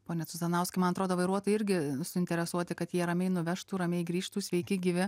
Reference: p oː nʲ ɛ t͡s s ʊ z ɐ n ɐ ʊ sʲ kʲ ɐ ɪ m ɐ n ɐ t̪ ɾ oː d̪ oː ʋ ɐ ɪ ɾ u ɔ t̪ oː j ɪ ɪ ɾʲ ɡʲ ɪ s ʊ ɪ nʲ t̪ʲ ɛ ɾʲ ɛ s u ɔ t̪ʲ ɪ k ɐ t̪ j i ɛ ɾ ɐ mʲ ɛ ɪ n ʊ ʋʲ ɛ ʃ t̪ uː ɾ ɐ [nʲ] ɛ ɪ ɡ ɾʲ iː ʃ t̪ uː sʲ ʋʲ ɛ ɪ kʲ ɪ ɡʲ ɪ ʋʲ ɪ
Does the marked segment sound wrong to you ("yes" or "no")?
yes